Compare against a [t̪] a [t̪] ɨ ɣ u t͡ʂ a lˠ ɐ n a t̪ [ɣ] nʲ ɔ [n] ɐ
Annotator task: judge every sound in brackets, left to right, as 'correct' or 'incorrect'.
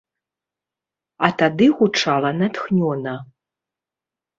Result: correct, incorrect: d̪, incorrect: x, correct

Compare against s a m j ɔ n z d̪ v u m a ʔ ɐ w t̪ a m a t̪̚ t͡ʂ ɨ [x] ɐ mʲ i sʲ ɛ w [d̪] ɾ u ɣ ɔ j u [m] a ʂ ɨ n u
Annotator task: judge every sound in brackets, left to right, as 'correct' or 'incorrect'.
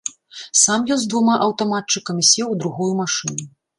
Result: incorrect: k, correct, correct

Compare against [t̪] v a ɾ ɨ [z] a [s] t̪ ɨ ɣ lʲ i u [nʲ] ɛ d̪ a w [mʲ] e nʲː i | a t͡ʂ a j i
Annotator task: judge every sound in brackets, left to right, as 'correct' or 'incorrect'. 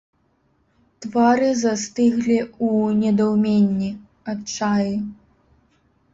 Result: correct, correct, correct, correct, correct

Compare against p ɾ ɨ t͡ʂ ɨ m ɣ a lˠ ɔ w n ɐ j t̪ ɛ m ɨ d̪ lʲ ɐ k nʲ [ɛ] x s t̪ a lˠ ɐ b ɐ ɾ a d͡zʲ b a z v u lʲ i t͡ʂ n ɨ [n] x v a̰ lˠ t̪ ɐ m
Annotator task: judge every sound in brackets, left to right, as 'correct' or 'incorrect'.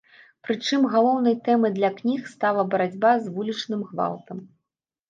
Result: incorrect: i, incorrect: m

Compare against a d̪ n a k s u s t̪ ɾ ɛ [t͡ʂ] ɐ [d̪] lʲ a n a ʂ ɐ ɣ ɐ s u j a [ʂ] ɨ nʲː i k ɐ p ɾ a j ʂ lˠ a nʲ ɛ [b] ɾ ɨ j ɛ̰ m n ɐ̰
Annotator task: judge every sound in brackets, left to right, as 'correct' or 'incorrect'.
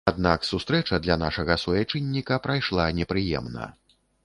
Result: correct, correct, incorrect: t͡ʂ, incorrect: p

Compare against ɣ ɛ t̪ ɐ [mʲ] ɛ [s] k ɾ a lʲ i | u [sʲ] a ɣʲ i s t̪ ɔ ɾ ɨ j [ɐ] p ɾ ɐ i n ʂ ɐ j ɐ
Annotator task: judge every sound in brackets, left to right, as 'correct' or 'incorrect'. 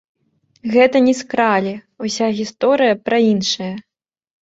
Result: incorrect: nʲ, correct, correct, correct

